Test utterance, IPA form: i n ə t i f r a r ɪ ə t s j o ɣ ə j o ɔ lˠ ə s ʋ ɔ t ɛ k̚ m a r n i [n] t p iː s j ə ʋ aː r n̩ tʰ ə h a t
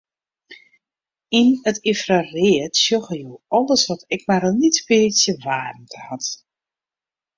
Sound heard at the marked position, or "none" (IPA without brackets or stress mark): none